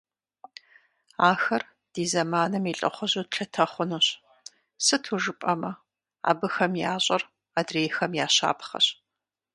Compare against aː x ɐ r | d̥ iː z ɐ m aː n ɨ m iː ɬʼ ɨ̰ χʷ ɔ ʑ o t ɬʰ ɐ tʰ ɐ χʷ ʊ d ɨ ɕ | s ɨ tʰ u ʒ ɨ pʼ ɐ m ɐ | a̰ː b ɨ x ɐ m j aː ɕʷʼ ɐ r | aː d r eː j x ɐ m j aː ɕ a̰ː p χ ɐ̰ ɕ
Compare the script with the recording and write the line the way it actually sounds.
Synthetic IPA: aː x ɐ r | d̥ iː z ɐ m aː n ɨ m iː ɬʼ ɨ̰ χʷ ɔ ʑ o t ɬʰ ɐ tʰ ɐ χʷ ʊ n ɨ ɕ | s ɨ tʰ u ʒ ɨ pʼ ɐ m ɐ | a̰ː b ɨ x ɐ m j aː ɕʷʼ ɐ r | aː d r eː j x ɐ m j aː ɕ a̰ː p χ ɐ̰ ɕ